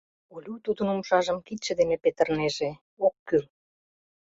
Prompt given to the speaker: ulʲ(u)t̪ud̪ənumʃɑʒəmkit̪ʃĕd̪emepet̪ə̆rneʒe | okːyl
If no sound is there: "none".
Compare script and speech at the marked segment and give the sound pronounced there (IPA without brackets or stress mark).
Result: u